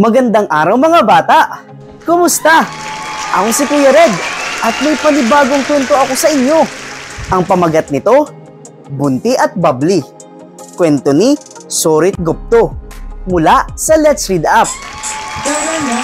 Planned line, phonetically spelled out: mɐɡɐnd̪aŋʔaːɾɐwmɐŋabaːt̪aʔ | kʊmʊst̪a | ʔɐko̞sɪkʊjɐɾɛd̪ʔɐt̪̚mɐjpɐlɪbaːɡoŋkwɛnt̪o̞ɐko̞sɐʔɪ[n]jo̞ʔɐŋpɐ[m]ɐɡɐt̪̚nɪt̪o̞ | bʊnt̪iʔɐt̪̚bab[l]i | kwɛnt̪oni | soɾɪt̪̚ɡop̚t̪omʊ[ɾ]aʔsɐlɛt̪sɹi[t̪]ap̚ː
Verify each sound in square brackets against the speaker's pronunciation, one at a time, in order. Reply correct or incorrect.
incorrect, correct, correct, incorrect, incorrect

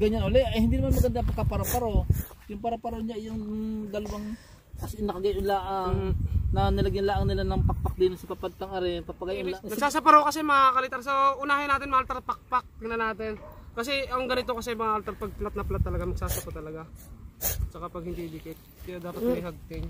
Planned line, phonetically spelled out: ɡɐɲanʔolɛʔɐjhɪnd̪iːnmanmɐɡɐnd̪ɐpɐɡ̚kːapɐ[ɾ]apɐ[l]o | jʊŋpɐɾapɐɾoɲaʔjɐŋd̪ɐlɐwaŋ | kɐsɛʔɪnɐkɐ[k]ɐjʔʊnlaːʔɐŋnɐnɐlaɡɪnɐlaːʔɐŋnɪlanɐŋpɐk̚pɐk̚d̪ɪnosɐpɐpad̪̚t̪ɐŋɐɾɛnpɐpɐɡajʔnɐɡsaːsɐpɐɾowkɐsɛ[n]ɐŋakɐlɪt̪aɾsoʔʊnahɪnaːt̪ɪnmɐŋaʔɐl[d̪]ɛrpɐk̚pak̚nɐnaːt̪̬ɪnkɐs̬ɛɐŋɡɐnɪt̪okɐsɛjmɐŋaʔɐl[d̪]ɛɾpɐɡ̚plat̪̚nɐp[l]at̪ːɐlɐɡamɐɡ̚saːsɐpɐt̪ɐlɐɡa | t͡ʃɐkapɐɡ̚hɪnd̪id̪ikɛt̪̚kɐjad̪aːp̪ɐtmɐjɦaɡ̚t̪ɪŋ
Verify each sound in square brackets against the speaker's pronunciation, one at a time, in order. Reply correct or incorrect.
correct, incorrect, incorrect, incorrect, incorrect, incorrect, correct

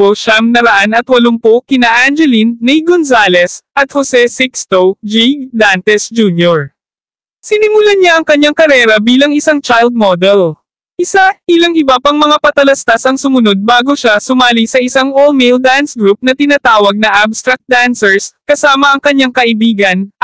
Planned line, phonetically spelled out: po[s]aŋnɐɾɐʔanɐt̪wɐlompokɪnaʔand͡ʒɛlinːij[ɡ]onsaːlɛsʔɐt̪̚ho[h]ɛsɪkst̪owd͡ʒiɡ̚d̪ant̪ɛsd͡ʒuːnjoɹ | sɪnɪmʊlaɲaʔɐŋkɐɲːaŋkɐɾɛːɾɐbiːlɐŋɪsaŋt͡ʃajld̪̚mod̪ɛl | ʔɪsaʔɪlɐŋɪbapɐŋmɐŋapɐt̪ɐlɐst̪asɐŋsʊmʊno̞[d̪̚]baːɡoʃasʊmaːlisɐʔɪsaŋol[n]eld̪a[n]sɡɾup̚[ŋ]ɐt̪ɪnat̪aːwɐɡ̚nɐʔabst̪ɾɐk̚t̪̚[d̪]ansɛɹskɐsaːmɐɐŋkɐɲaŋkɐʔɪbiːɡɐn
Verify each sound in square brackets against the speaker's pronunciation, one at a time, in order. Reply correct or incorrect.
incorrect, correct, incorrect, correct, incorrect, correct, incorrect, correct

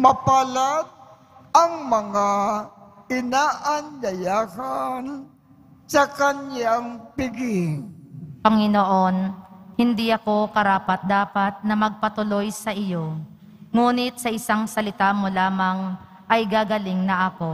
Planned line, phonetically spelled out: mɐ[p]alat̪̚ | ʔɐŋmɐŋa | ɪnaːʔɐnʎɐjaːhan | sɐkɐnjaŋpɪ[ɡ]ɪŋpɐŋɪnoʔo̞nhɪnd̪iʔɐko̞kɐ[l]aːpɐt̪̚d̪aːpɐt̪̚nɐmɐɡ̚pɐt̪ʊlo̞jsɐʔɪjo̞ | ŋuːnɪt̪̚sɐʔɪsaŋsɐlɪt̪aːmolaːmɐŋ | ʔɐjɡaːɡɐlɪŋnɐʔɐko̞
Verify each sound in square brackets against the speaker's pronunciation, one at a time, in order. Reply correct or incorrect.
correct, correct, incorrect

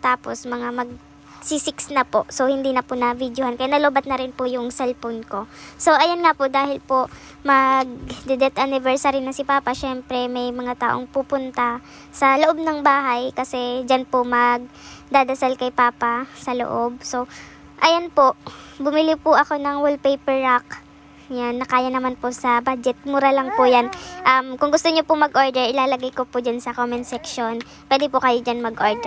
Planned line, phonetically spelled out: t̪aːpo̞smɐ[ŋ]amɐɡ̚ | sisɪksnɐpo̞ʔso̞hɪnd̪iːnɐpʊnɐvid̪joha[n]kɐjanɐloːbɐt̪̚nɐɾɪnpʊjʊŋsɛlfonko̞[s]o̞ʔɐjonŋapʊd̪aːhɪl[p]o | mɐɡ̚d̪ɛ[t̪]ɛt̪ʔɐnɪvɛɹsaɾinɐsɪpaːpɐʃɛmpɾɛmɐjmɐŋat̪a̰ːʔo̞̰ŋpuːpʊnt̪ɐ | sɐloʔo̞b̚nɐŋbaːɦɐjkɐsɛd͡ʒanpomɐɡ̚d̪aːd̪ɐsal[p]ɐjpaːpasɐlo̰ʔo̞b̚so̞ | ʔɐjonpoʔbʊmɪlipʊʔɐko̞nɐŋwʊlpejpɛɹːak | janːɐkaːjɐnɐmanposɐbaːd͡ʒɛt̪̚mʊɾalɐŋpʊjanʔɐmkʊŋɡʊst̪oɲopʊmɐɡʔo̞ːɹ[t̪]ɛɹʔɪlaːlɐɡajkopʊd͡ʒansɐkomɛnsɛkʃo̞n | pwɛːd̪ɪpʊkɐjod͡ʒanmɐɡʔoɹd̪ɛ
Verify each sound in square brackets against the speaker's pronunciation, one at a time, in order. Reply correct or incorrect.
correct, correct, correct, correct, incorrect, incorrect, incorrect

